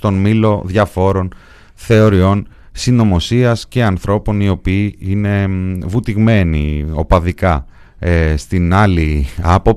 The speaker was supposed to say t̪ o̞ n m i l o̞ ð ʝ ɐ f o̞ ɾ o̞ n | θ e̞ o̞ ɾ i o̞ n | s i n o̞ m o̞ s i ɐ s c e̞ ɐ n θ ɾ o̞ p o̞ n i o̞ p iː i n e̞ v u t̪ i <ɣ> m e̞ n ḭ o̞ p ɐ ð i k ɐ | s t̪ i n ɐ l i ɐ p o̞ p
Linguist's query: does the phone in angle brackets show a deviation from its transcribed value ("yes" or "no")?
no